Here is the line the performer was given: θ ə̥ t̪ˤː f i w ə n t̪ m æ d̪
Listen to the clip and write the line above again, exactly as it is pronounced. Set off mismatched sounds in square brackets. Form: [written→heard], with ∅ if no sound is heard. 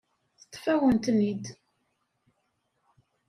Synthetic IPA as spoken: θ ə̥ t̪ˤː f [i→æ] w ə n t̪ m [æ→i] d̪